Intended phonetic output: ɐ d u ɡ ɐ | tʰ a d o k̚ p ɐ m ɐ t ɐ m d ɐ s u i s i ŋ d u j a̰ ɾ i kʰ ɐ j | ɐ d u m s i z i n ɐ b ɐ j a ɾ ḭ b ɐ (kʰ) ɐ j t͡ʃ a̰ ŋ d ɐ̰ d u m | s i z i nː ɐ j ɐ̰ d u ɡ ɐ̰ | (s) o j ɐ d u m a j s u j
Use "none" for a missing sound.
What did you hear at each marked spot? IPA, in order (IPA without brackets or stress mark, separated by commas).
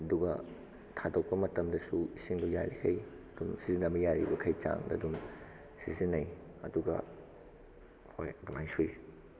kʰ, h